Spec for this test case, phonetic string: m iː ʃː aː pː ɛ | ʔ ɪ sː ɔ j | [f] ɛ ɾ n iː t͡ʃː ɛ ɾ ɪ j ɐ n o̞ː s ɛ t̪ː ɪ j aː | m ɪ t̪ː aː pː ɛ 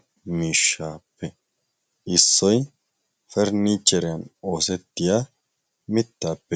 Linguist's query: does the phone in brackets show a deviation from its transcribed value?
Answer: no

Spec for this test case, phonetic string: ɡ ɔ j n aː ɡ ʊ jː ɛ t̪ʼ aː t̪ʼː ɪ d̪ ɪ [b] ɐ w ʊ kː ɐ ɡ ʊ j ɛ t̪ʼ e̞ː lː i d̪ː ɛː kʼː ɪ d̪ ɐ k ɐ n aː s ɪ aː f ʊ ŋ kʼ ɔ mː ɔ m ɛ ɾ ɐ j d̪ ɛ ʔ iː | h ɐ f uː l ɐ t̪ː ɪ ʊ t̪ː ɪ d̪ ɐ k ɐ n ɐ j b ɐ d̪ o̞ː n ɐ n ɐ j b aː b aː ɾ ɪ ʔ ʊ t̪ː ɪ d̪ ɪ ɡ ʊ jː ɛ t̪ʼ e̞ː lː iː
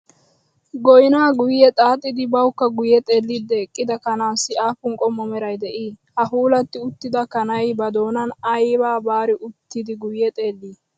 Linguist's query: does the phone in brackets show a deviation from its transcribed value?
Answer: no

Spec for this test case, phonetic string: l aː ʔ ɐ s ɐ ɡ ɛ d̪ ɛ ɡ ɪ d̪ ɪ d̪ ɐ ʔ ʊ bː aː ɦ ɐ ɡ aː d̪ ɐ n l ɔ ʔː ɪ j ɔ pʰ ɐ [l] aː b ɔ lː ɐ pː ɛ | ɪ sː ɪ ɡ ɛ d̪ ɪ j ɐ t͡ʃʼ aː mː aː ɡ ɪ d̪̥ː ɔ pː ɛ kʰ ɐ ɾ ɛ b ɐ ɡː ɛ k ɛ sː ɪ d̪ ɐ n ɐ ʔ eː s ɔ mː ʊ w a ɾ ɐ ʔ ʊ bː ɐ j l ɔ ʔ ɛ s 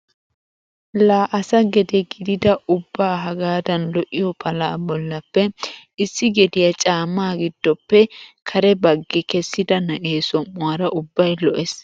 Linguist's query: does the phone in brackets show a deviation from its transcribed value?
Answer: no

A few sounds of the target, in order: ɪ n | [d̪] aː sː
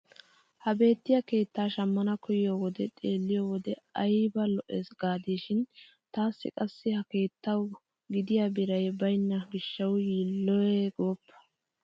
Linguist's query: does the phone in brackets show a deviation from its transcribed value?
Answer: yes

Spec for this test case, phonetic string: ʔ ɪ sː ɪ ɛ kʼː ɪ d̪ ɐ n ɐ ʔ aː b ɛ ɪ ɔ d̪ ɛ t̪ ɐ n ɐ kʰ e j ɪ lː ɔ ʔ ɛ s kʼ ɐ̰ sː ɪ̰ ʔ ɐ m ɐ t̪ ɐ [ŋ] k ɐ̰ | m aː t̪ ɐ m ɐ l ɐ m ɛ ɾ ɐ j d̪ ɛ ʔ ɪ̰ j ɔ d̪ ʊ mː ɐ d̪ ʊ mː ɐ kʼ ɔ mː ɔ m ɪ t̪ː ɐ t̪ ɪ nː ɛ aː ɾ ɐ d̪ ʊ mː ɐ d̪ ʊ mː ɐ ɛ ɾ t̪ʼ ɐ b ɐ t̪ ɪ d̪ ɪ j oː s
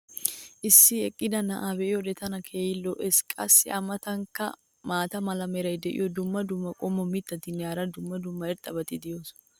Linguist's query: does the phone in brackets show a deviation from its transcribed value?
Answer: no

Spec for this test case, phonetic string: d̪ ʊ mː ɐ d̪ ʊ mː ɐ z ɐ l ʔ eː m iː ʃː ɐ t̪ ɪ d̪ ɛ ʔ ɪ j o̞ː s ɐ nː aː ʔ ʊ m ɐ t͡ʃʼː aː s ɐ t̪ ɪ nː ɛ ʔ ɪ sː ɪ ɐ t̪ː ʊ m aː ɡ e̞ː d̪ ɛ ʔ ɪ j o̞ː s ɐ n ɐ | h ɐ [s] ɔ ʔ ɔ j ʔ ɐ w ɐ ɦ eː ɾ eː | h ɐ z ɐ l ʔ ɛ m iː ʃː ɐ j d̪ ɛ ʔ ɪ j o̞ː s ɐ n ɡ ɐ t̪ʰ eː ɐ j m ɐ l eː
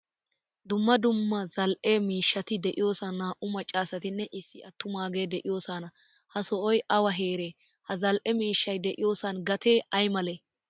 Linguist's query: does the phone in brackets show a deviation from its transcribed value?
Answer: no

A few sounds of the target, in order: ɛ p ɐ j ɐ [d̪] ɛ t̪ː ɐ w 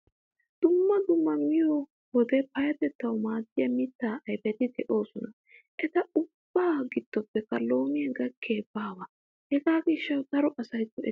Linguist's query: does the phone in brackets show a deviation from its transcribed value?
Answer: yes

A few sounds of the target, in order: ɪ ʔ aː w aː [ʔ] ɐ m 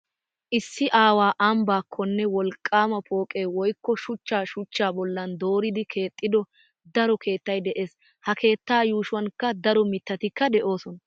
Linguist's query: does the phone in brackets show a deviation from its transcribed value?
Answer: no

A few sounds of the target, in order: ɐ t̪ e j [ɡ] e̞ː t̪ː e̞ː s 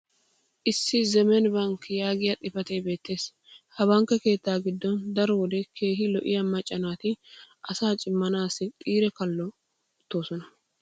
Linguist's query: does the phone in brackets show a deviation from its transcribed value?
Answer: yes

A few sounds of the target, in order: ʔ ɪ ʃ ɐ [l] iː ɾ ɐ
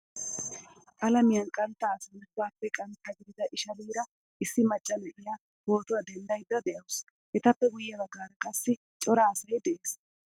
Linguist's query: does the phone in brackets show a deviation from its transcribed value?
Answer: no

